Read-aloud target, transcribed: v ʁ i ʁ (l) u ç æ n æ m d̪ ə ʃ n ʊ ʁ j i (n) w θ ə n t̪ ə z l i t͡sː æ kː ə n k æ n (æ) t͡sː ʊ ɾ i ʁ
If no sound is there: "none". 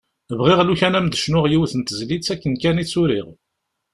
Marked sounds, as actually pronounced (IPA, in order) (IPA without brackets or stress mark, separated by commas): l, none, i